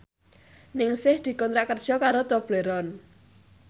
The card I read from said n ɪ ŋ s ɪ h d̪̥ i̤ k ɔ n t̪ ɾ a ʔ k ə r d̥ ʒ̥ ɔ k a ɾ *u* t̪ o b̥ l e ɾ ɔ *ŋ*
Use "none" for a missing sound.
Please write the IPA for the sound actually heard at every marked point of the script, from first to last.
o, n

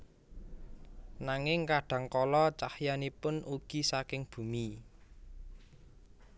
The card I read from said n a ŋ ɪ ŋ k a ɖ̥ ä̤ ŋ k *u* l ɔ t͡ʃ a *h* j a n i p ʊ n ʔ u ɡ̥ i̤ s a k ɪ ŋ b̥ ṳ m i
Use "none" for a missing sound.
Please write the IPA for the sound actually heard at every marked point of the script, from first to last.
ɔ, h

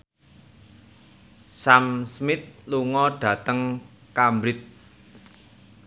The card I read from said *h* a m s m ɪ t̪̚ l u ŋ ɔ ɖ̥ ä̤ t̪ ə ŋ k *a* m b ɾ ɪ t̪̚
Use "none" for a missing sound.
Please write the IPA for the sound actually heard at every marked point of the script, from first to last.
s, a

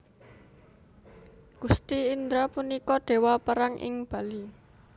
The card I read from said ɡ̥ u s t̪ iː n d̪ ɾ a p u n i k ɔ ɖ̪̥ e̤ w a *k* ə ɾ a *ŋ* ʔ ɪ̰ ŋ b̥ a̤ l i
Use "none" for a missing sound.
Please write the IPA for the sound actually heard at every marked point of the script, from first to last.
p, ŋ

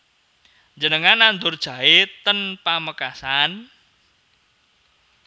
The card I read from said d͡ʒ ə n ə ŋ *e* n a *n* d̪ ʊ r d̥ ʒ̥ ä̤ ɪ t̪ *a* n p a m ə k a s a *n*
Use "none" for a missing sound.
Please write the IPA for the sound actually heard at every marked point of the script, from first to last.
a, n, ə, n

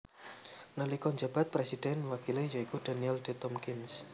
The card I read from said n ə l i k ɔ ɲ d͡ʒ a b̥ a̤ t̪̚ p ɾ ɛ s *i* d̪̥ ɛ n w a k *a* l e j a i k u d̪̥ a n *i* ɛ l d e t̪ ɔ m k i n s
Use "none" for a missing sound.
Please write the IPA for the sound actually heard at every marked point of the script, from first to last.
i, i, i

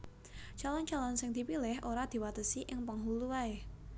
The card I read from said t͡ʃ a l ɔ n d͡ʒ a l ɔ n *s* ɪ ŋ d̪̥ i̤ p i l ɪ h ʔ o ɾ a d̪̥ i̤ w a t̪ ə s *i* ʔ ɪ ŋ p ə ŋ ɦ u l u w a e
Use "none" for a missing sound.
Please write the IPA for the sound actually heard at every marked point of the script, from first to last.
s, i

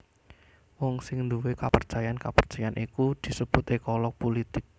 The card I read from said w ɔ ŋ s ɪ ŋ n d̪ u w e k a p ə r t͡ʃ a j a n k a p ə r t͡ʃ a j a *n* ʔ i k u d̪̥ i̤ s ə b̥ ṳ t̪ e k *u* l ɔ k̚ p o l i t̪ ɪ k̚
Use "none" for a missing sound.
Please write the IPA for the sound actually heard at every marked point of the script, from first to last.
n, ɔ

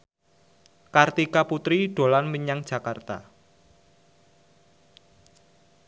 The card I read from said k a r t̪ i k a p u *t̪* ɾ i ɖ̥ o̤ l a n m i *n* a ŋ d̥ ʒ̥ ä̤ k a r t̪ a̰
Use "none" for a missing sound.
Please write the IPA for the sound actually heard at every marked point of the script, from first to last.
t̪, ɲ

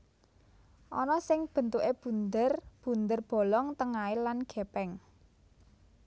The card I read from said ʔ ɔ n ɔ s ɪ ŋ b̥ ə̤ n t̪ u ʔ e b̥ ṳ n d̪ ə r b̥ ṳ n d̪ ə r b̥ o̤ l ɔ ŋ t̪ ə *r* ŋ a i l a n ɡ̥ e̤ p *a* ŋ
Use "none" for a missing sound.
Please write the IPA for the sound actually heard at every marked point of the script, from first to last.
none, ɛ

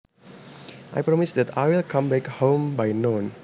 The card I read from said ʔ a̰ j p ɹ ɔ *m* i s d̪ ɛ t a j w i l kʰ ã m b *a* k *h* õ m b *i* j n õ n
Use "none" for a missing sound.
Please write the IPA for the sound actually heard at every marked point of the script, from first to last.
m, ɛ, h, a

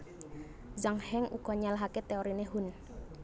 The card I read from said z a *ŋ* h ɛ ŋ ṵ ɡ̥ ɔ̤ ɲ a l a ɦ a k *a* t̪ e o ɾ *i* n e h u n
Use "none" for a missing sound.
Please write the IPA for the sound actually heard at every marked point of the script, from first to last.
ŋ, e, i

